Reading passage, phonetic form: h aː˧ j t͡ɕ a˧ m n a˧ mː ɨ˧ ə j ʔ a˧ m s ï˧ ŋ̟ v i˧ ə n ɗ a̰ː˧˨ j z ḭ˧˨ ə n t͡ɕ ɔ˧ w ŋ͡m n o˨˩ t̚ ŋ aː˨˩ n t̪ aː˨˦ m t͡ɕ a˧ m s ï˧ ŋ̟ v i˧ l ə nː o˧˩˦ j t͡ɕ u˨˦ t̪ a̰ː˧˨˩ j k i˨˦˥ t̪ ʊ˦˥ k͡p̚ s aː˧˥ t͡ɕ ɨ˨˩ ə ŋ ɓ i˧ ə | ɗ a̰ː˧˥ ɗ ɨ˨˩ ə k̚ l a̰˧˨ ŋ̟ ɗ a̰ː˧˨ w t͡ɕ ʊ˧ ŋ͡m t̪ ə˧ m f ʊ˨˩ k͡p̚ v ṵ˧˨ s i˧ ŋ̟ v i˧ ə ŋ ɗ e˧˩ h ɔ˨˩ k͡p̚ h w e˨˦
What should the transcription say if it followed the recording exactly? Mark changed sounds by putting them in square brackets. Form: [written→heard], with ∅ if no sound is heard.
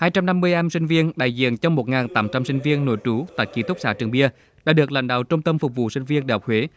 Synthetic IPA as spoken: h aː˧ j t͡ɕ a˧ m n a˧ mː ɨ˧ ə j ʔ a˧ m s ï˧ ŋ̟ v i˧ ə n ɗ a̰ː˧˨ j z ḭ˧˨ ə n t͡ɕ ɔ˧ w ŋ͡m [n→m] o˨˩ t̚ ŋ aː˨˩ n t̪ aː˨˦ m t͡ɕ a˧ m s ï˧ ŋ̟ v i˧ [l→∅] ə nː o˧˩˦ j t͡ɕ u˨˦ t̪ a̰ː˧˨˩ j k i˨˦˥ t̪ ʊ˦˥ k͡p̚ s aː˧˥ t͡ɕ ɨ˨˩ ə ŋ ɓ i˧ ə | ɗ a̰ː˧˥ ɗ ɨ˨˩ ə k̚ l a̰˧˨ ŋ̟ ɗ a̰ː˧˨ w t͡ɕ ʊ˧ ŋ͡m t̪ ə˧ m f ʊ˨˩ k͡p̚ v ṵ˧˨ s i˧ ŋ̟ v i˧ ə [ŋ→n] ɗ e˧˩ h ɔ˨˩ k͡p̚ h w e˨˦